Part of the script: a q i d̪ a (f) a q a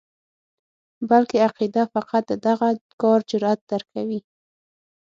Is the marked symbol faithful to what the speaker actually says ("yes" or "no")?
yes